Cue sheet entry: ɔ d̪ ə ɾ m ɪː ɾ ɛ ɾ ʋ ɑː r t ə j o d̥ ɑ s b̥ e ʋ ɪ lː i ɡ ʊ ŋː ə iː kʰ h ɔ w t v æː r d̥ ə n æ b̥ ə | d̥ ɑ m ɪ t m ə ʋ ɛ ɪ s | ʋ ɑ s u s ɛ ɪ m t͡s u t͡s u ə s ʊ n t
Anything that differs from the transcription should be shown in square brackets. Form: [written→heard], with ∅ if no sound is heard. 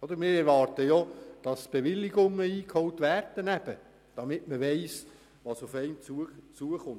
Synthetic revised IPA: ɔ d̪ ə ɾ m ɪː ɾ ɛ ɾ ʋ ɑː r t ə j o d̥ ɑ s b̥ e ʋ ɪ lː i ɡ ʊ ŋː ə iː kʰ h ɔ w t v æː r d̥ ə n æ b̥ ə | d̥ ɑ m ɪ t m ə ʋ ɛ ɪ s | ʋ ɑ s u [s→f] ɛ ɪ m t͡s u t͡s u ə [s→χ] ʊ n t